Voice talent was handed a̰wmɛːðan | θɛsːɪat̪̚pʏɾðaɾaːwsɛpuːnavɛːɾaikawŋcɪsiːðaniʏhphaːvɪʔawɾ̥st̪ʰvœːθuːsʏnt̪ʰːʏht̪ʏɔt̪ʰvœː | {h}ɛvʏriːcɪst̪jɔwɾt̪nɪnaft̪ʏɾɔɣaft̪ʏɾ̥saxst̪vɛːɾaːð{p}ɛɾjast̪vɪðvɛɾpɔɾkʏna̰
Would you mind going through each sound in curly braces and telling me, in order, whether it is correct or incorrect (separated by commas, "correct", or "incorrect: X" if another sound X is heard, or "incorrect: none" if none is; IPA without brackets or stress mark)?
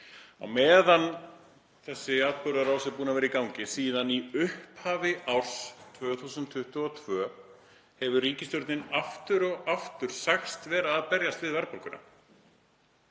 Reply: correct, correct